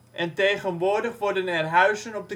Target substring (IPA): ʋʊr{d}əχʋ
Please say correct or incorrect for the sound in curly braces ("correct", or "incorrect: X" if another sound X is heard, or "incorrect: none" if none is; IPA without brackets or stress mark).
correct